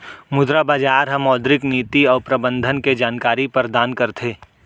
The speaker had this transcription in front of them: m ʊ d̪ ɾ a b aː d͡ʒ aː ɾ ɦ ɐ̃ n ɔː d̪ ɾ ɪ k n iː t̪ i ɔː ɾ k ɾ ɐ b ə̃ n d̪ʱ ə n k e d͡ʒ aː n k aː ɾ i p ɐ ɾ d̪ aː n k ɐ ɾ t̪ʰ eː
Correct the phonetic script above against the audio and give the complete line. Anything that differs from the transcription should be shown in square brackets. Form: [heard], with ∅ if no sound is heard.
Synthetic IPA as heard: m ʊ d̪ ɾ a b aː d͡ʒ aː ɾ ɦ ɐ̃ [m] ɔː d̪ ɾ ɪ k n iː t̪ i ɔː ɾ [p] ɾ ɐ b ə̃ n d̪ʱ ə n k e d͡ʒ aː n k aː ɾ i p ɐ ɾ d̪ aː n k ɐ ɾ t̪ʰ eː